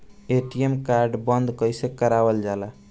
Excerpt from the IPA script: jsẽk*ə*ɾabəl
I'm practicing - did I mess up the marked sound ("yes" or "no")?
no